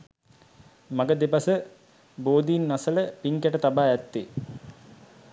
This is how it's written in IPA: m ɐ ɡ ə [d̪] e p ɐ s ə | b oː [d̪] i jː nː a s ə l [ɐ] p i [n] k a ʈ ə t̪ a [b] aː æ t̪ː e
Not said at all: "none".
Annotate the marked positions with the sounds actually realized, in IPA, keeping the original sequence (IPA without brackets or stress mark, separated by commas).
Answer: d̪, d̪, ə, ŋ, b